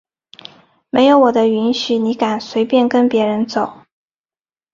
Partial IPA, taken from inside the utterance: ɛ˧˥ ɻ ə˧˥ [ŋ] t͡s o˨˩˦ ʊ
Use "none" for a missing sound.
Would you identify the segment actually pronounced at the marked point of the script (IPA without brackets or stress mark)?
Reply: n